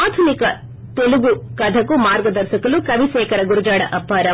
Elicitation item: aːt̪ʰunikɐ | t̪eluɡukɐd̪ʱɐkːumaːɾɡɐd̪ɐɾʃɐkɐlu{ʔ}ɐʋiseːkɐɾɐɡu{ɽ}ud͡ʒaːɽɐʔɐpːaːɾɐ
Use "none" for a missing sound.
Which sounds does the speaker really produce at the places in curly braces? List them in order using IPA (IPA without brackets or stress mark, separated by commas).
k, ɾ